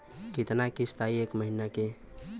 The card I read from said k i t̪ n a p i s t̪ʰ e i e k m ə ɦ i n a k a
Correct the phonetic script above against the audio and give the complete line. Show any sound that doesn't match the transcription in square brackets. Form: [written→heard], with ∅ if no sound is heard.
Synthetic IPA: k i t̪ n a [p→k] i s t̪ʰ [e→a] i e k m ə ɦ i n a k [a→e]

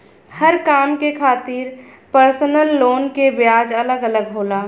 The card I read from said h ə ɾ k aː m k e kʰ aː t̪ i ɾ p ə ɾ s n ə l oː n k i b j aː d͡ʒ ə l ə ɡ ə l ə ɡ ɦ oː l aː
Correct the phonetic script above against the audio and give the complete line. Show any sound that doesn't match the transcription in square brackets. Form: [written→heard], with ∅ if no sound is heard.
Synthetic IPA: h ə ɾ k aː m k e kʰ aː t̪ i ɾ p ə ɾ s n ə [l→lː] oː n k [i→e] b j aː d͡ʒ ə l ə ɡ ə l ə ɡ ɦ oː l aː

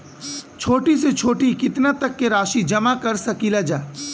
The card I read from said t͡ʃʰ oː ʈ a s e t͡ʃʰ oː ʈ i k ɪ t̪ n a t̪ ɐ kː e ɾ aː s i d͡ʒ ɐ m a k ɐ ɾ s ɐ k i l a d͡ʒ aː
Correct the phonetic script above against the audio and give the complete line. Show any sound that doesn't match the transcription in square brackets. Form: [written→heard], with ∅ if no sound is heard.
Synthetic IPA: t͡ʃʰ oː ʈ [a→i] s e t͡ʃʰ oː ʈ i k ɪ t̪ n a t̪ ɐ kː e ɾ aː [s→ʃ] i d͡ʒ ɐ m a k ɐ ɾ s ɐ k i l a d͡ʒ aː

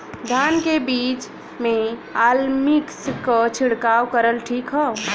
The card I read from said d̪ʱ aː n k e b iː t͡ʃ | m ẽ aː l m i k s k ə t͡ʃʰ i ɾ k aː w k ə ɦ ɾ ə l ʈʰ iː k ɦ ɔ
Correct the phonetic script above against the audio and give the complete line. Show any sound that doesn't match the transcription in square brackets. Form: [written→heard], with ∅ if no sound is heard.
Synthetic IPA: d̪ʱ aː n k e b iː t͡ʃ | m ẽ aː l m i k s k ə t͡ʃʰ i [ɾ→ɽ] k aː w k ə [ɦ→∅] ɾ ə l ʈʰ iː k ɦ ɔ

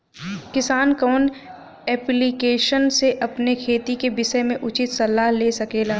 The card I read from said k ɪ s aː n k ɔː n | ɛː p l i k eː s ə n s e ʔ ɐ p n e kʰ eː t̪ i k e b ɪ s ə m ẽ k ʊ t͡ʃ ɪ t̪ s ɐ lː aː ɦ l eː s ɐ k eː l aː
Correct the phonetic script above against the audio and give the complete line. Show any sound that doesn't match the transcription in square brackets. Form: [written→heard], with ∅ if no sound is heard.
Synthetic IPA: k ɪ s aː n k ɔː n | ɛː p l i k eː [s→ʃ] ə n s e ʔ ɐ p n e kʰ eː t̪ i k e b ɪ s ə m ẽ [k→ʔ] ʊ t͡ʃ ɪ t̪ s ɐ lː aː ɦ l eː s ɐ k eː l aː

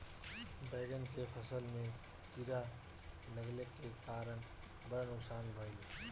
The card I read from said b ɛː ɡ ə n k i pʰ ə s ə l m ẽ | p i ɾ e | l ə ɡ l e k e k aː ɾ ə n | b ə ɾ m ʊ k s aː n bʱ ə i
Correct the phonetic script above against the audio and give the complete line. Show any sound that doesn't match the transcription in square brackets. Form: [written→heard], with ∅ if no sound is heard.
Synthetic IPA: b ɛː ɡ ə n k [i→e] pʰ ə s ə l m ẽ | [p→k] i ɾ [e→a] | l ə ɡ l e k e k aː ɾ ə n | b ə ɾ [m→n] ʊ k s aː n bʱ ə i

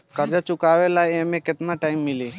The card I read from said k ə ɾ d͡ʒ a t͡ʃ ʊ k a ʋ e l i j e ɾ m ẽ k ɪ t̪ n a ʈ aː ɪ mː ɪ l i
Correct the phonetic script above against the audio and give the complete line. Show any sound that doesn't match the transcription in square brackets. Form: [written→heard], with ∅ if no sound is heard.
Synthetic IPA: k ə ɾ d͡ʒ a t͡ʃ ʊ k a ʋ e l [i→a] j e [ɾ→∅] m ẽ k ɪ t̪ n a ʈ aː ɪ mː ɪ l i

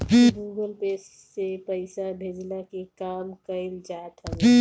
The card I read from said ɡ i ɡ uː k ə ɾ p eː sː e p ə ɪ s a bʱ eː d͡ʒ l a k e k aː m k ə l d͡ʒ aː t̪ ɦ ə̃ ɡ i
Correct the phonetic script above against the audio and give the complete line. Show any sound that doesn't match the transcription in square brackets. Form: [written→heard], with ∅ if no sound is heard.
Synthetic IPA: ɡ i ɡ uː [k→ɡ] ə [ɾ→l] p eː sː e p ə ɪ s a bʱ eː d͡ʒ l a k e k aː m k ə l d͡ʒ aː t̪ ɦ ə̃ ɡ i

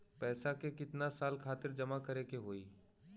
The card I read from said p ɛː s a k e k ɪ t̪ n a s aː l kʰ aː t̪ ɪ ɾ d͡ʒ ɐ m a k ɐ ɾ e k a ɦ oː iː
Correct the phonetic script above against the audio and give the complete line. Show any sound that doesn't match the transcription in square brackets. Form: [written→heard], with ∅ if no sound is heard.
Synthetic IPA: p ɛː s a k e k ɪ t̪ n a s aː l kʰ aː t̪ ɪ ɾ d͡ʒ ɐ m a k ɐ ɾ e k [a→e] ɦ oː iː

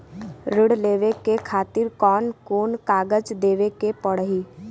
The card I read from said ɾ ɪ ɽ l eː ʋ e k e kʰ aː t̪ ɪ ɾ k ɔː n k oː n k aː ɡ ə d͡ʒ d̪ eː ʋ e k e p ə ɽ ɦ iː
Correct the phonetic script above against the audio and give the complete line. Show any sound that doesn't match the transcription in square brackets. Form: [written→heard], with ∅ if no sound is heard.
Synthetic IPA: ɾ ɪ ɽ l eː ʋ e k e kʰ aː t̪ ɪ ɾ k ɔː n k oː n k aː ɡ ə d͡ʒ d̪ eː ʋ e k e p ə ɽ ɦ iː

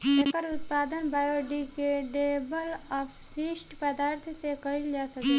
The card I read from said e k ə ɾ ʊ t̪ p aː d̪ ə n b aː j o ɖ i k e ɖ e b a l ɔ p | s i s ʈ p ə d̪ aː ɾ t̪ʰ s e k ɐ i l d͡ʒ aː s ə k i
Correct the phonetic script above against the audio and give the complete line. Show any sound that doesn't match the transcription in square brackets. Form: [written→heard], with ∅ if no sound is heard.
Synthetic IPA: e k ə ɾ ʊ t̪ p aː d̪ ə n b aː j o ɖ i k e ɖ e b [a→ə] l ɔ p | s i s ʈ p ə d̪ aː ɾ t̪ʰ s e k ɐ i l d͡ʒ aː s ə k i

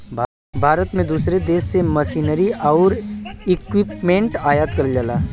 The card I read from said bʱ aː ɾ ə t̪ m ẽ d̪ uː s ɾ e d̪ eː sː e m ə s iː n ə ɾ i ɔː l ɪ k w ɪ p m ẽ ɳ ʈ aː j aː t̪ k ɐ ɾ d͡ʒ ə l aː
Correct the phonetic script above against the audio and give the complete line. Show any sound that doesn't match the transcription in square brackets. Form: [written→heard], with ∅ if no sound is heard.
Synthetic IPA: bʱ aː ɾ ə t̪ m ẽ d̪ uː s ɾ e d̪ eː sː e m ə s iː n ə ɾ i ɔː [l→ɾ] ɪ k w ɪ p m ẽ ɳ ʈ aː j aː t̪ k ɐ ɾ d͡ʒ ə l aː

